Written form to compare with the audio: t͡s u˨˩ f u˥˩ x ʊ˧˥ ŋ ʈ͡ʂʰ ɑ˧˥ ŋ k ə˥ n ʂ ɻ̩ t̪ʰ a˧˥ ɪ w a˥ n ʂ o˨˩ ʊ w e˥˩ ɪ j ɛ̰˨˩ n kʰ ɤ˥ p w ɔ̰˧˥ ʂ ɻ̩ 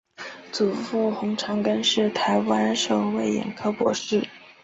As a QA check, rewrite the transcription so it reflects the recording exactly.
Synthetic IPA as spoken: t͡s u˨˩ f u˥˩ x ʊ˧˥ ŋ ʈ͡ʂʰ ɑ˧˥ ŋ k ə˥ n ʂ ɻ̩ t̪ʰ a˧˥ ɪ w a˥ n ʂ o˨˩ ʊ w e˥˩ ɪ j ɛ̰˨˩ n kʰ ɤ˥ p w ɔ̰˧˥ ʂ ɻ̩

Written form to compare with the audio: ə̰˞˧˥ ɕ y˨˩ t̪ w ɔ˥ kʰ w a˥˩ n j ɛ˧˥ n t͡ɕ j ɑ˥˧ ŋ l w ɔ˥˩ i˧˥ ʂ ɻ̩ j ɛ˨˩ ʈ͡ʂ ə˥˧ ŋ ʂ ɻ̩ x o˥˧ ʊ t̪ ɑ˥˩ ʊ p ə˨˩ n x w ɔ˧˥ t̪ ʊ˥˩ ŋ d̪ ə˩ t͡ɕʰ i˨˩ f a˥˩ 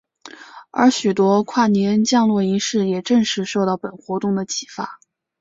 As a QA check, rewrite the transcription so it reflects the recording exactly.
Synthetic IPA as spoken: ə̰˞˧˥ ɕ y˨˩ t̪ w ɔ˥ kʰ w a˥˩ n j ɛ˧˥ n t͡ɕ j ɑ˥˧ ŋ l w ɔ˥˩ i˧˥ ʂ ɻ̩ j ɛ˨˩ ʈ͡ʂ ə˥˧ ŋ ʂ ɻ̩ ʂ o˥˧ ʊ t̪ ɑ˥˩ ʊ p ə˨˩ n x w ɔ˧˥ t̪ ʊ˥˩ ŋ d̪ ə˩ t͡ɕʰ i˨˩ f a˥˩

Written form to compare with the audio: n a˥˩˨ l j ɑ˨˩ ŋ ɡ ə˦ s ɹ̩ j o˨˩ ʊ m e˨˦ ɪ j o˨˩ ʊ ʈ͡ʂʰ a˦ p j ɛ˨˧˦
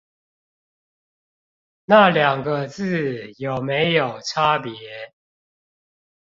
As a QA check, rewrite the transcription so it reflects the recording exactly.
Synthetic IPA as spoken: n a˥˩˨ l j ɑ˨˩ ŋ ɡ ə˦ t͡s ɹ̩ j o˨˩ ʊ m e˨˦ ɪ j o˨˩ ʊ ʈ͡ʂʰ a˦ p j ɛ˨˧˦

